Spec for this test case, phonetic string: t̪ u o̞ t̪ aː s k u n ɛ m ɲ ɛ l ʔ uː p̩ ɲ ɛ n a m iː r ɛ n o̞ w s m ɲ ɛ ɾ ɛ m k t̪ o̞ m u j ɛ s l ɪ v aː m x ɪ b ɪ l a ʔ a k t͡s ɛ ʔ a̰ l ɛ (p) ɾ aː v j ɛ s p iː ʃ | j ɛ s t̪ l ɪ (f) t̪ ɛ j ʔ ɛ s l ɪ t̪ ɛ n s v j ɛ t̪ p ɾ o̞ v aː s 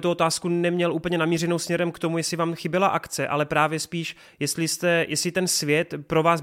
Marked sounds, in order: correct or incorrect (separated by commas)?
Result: correct, incorrect